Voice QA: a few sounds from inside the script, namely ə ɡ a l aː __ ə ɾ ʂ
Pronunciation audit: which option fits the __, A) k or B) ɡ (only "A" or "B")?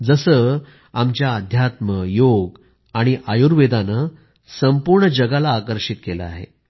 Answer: A